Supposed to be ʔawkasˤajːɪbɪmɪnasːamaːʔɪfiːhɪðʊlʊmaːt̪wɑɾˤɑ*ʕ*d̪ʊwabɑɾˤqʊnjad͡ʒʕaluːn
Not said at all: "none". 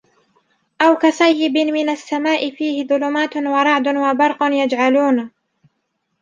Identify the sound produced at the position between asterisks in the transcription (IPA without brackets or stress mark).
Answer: ʕ